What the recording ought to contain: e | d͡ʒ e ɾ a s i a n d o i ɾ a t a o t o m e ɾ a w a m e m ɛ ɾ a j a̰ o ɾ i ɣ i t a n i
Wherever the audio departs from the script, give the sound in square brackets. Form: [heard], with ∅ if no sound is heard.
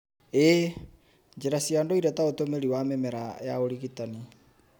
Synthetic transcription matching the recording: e | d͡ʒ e ɾ a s i a n d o i ɾ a t a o t o m e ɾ [i] w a m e m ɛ ɾ a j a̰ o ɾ i ɣ i t a n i